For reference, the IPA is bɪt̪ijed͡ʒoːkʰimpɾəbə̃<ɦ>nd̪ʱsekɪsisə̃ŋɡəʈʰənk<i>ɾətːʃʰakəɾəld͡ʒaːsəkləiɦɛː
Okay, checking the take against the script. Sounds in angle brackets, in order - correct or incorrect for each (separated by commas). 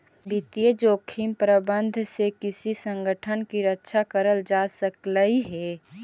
incorrect, correct